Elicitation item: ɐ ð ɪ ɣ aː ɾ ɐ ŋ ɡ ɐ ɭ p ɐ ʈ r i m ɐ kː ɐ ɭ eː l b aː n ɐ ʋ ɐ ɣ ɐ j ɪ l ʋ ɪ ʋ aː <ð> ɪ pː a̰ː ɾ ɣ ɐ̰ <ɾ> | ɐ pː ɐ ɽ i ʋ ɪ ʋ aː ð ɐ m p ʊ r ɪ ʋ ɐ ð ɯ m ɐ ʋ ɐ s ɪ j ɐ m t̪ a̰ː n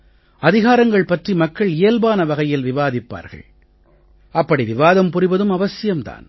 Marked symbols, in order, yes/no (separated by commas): yes, no